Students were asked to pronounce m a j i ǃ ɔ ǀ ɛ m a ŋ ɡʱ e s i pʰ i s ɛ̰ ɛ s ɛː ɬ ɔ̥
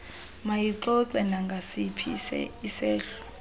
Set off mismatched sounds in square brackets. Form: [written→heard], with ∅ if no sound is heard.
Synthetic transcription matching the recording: m a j i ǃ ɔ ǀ ɛ [m→n] a ŋ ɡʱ [e→a] s i pʰ i s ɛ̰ [ɛ→i] s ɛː ɬ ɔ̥